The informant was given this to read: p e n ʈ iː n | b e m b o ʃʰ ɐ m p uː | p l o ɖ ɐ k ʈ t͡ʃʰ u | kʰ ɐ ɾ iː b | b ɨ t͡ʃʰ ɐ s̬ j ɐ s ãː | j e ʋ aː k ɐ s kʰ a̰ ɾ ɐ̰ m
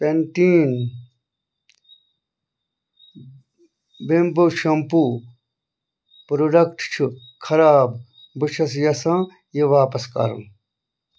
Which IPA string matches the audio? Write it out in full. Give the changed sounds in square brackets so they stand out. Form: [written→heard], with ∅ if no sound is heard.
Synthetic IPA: p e n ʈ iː n | b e m b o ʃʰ ɐ m p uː | p [l→ɾ] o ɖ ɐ k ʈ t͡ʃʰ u | kʰ ɐ ɾ [iː→aː] b | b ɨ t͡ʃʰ ɐ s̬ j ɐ s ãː | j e ʋ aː [k→p] ɐ s [kʰ→k] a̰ ɾ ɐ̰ m